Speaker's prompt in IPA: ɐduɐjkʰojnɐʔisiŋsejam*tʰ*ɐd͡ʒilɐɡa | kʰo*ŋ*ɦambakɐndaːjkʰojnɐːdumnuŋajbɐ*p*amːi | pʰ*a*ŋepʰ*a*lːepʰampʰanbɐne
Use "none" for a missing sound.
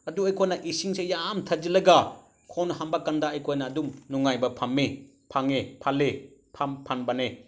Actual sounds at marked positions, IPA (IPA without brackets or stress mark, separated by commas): tʰ, n, pʰ, a, a